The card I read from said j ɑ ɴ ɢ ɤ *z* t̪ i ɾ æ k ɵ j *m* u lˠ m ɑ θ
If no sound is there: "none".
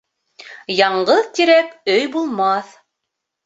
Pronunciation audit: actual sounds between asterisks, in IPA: ð, b

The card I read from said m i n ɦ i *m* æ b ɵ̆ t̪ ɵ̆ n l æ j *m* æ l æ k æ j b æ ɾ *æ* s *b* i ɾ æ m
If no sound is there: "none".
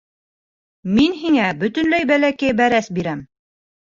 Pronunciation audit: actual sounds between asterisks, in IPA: ŋ, b, æ, b

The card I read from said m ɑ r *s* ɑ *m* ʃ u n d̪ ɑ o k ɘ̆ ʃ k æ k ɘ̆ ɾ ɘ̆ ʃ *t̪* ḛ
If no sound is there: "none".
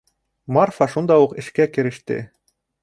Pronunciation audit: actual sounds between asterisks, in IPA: f, none, t̪

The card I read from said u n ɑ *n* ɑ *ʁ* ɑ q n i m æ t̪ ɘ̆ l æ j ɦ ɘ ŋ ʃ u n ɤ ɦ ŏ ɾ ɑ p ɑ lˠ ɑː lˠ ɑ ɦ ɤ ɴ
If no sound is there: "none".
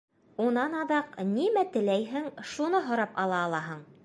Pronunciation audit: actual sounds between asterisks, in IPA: n, ð

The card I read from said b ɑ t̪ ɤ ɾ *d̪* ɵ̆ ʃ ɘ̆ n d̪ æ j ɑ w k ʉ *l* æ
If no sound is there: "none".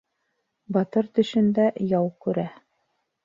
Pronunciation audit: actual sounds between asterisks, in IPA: t̪, ɾ

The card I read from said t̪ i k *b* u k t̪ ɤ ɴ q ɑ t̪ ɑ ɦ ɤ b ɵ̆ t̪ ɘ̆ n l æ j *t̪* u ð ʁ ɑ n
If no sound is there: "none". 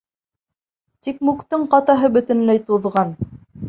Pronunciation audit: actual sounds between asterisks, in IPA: m, t̪

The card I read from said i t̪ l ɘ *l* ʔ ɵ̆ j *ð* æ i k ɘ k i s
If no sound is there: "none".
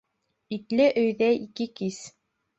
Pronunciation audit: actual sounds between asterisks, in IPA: none, ð

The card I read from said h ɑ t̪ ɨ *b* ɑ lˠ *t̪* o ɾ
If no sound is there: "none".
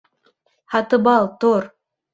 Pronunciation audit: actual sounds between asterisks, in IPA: b, t̪

